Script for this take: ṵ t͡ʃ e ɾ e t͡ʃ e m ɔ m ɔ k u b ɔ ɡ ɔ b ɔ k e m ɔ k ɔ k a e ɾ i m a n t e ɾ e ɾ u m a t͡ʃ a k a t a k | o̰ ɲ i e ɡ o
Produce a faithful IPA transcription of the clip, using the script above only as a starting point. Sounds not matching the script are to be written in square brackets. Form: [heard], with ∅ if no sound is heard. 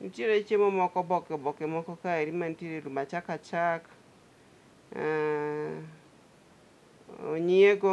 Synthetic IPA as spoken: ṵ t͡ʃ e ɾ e t͡ʃ e m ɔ m ɔ k [ɔ] b ɔ [k] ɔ b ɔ k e m ɔ k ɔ k a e ɾ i m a n t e ɾ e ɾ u m a t͡ʃ a k a [t͡ʃ] a k | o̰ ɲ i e ɡ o